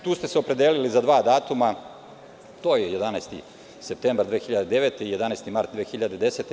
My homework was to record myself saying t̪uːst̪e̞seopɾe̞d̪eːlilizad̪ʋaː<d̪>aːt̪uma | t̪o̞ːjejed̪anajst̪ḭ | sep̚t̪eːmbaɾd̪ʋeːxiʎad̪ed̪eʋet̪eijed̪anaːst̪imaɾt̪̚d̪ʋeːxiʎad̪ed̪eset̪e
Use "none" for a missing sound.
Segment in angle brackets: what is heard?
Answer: d̪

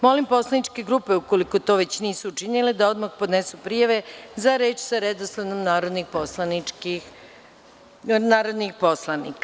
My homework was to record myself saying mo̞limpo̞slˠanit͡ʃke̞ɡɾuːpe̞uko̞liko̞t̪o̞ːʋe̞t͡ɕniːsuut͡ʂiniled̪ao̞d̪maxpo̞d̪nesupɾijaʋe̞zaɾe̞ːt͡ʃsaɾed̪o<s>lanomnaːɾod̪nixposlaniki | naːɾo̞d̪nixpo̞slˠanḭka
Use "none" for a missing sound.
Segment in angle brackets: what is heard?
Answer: s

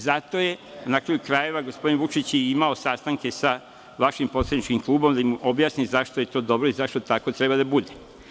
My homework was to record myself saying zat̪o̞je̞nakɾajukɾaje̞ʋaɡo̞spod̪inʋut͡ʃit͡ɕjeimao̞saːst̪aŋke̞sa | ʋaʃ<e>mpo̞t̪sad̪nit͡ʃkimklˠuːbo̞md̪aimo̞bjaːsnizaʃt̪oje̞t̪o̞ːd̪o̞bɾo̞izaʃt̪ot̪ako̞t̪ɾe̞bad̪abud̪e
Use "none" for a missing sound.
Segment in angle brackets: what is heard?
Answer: i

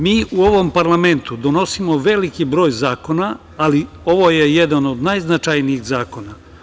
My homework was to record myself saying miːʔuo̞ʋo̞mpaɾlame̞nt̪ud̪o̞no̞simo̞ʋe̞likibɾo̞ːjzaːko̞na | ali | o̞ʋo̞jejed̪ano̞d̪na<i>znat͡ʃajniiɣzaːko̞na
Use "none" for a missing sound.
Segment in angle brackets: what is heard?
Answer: j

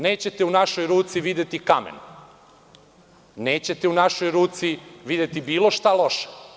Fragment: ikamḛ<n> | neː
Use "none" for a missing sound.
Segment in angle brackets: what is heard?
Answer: n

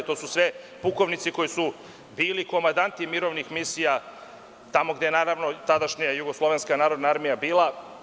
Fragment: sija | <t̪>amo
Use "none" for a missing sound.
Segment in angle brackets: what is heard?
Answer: t̪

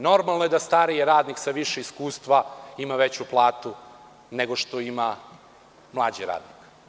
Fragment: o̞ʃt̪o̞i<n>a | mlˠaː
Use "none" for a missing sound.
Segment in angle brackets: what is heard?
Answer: m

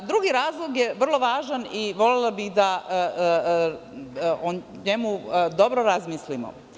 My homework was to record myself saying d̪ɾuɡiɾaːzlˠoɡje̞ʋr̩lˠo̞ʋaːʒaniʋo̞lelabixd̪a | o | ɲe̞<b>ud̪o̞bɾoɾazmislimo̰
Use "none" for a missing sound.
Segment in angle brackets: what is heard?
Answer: m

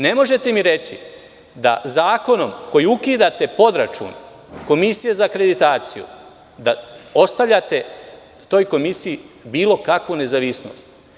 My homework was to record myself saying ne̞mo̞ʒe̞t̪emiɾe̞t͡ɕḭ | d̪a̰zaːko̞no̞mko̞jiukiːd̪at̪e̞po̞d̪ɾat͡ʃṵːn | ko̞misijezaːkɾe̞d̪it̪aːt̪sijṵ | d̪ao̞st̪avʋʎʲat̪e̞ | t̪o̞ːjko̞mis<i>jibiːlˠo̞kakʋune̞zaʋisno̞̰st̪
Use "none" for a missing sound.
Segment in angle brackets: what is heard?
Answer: i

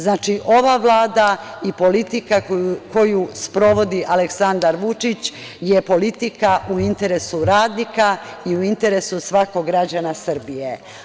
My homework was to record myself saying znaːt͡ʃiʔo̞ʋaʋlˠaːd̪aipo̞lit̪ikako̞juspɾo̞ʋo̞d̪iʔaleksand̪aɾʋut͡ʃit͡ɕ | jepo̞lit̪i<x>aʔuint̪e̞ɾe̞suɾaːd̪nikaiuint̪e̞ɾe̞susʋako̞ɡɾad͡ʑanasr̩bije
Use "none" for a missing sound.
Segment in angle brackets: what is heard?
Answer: k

